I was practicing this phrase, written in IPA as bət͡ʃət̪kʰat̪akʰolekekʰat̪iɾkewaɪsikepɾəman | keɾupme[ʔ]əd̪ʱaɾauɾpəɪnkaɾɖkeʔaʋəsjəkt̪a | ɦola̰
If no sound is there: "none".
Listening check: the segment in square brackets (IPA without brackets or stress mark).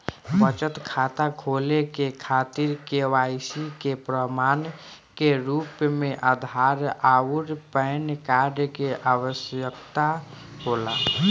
ʔ